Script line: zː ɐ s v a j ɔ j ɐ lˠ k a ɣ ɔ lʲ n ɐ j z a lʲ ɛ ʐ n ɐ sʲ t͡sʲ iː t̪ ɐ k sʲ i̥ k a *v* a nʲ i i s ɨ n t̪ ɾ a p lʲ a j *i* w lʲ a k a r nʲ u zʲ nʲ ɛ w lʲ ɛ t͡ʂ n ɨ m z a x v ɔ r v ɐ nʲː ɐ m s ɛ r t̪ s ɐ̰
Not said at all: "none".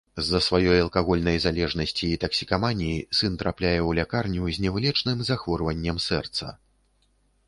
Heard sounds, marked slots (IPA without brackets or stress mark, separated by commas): v, ɛ